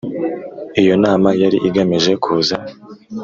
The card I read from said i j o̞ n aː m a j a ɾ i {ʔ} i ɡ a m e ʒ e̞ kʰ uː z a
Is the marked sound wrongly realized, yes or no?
no